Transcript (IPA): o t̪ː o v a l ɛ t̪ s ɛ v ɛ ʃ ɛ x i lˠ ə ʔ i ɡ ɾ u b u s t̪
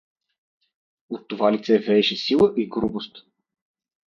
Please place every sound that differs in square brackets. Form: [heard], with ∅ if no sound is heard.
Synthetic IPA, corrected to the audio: o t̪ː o v a l [i] t̪ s ɛ v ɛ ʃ ɛ [s] i lˠ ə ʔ i ɡ ɾ u b [o] s t̪